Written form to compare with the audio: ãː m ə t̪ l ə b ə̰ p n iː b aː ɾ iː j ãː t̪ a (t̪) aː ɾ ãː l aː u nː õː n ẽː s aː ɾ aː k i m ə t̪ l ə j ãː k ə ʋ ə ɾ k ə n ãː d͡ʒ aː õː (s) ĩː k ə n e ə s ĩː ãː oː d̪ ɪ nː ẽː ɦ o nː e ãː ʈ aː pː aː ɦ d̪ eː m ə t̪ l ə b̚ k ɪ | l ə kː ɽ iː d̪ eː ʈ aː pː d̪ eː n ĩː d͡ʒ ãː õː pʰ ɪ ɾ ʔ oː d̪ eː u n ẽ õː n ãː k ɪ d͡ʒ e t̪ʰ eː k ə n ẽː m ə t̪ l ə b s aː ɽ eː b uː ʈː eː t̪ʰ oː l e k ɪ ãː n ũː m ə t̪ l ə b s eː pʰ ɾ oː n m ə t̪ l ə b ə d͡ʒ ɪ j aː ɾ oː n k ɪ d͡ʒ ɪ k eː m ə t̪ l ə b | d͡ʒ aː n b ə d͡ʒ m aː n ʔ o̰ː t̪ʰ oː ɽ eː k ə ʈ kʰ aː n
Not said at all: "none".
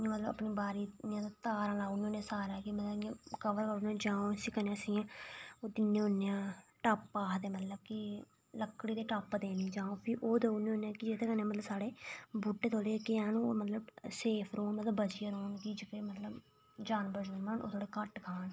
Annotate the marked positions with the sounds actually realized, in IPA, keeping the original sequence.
t̪, s

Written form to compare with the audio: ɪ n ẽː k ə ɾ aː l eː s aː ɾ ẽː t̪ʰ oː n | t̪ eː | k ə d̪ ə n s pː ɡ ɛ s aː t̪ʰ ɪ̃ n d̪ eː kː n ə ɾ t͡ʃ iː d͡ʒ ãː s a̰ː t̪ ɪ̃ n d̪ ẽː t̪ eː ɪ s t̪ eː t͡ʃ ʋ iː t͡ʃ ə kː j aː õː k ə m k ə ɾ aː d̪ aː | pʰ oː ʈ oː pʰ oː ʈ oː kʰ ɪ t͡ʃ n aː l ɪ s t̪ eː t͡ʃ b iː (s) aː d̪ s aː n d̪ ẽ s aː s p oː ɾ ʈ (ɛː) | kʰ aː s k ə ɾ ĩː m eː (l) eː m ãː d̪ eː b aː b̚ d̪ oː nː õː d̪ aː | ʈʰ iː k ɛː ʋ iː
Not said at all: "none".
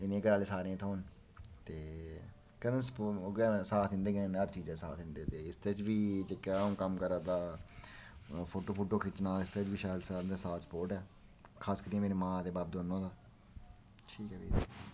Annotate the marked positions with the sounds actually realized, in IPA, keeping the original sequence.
ʃ, ɛː, ɾ

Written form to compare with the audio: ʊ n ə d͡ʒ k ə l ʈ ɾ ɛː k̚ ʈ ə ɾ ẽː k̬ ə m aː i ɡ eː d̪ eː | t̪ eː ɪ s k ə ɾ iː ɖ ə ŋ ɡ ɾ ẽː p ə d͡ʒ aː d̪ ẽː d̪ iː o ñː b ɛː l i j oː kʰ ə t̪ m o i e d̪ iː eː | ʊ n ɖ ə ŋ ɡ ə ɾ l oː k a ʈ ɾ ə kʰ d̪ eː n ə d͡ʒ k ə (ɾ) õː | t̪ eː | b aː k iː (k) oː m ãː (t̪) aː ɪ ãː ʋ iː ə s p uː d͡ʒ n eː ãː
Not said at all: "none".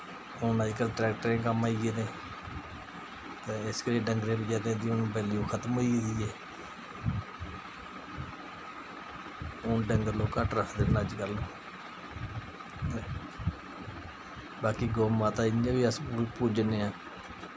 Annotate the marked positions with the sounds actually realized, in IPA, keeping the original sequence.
l, ɡ, t̪

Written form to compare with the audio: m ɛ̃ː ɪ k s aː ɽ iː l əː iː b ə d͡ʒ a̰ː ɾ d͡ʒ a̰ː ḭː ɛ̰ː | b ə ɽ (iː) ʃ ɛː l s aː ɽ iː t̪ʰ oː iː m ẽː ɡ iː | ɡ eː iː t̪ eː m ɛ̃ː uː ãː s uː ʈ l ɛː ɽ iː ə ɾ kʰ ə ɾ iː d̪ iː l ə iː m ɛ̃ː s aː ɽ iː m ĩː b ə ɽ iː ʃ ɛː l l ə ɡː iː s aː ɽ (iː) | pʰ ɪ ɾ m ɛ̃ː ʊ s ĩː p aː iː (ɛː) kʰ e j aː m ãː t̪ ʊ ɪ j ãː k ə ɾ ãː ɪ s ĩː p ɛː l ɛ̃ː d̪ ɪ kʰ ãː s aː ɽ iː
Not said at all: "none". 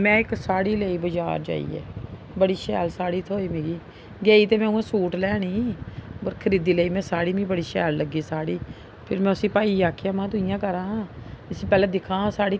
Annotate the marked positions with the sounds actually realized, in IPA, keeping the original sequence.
iː, iː, aː

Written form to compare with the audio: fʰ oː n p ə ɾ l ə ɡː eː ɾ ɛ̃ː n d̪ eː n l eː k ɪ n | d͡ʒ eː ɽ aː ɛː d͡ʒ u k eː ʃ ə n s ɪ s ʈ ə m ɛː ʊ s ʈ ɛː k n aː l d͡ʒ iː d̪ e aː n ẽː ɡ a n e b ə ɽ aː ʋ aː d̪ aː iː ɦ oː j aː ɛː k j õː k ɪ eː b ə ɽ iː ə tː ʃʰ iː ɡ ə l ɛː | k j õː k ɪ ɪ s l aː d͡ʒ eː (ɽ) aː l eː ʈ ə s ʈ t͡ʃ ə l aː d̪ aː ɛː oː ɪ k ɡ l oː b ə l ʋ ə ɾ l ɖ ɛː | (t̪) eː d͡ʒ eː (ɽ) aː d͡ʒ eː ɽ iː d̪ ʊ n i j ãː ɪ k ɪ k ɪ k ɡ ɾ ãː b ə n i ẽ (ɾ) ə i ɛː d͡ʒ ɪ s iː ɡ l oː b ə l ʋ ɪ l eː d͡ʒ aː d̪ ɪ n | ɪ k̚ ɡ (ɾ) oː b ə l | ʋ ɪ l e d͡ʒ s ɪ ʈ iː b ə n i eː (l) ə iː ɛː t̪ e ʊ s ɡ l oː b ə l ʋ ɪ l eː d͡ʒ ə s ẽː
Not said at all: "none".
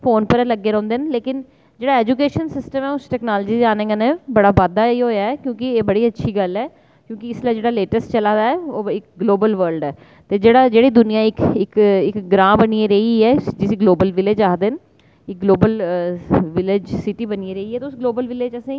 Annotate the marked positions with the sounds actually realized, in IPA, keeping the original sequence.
ɽ, t̪, ɽ, ɾ, l, ɾ

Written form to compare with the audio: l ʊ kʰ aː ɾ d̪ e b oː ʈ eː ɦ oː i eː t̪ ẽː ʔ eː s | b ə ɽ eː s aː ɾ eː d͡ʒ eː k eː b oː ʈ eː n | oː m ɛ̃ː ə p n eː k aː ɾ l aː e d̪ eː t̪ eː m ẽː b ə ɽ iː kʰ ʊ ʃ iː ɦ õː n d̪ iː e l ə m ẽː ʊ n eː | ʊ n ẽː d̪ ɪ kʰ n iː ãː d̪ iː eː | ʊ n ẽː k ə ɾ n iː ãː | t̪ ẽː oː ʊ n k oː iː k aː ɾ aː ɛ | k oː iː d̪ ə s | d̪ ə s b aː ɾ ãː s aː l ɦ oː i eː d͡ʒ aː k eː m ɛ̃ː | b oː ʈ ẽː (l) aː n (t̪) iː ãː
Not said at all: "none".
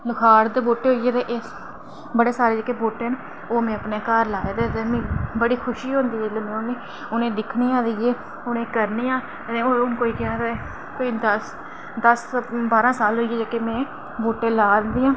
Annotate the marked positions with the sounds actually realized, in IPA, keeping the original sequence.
l, d̪

